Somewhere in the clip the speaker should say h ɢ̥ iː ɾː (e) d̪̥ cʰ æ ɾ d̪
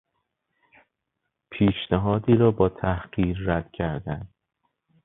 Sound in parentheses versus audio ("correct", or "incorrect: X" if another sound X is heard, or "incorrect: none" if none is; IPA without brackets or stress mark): incorrect: æ